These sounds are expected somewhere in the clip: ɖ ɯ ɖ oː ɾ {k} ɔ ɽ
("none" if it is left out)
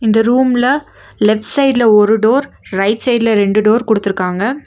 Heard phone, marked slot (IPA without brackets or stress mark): k